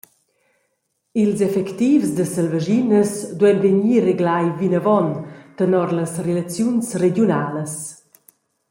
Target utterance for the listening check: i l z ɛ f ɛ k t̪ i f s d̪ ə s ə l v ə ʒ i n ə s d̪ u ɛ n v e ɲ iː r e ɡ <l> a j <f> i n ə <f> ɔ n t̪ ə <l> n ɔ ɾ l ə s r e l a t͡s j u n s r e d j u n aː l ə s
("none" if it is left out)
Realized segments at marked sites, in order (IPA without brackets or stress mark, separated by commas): l, v, v, none